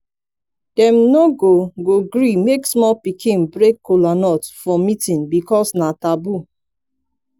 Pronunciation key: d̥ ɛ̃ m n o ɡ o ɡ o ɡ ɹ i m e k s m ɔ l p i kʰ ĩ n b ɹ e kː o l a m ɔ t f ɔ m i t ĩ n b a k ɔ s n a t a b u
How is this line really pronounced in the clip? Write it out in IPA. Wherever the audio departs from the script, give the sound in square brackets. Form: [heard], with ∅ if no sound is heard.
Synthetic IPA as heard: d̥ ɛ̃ m n o ɡ o ɡ o ɡ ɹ i m e k s m ɔ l p i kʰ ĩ n b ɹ e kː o l a [n] ɔ t f ɔ m i t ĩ n b [i] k ɔ s n a t a b u